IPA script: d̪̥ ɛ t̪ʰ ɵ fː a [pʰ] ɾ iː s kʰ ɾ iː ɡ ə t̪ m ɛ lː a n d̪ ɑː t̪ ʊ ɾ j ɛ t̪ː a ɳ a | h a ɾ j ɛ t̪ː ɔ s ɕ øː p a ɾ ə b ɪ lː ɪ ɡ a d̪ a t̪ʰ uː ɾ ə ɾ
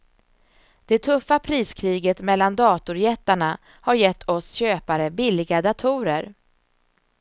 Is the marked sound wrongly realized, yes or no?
no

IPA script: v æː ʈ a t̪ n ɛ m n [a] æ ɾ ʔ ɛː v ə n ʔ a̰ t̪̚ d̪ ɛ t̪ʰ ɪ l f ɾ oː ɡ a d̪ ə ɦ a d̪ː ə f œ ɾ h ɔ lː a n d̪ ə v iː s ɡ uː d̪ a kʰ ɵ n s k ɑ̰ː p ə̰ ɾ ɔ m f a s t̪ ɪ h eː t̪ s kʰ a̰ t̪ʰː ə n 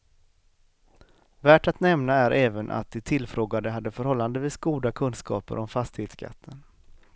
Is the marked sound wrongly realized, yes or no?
no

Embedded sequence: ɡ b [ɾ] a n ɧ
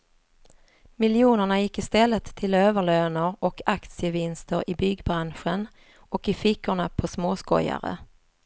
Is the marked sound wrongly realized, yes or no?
no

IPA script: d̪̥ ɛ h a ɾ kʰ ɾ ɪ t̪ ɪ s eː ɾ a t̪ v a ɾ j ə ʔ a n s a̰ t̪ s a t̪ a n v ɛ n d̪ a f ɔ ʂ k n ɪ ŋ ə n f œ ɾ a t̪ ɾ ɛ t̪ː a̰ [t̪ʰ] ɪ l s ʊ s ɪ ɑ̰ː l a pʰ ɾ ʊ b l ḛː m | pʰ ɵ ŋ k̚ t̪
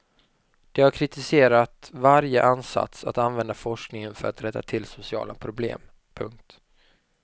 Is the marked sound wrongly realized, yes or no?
no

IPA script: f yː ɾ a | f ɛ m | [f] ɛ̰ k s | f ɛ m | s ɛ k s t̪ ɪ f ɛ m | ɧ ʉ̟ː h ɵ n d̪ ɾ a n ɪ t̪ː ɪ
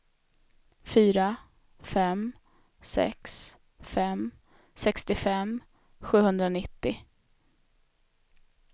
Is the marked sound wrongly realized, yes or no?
yes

